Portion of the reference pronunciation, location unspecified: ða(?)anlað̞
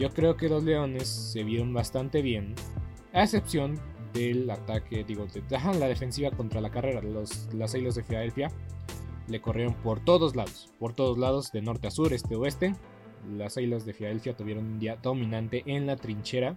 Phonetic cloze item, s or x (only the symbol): x